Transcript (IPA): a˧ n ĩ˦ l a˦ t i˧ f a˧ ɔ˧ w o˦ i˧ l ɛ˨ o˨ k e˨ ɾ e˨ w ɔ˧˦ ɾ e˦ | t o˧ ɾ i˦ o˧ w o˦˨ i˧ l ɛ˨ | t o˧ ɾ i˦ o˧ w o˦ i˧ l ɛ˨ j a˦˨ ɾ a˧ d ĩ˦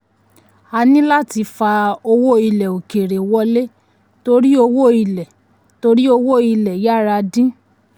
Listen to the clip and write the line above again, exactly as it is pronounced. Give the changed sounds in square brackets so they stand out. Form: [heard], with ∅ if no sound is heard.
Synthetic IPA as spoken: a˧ n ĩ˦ l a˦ t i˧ f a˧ [o˧] w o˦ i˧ l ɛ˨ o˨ k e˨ ɾ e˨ w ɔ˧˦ [l] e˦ | t o˧ ɾ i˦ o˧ w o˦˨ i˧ l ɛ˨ | t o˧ ɾ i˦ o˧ w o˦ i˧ l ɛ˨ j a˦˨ ɾ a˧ d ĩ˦